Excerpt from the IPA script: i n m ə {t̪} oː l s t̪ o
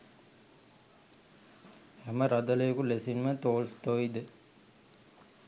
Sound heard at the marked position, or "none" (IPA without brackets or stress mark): t̪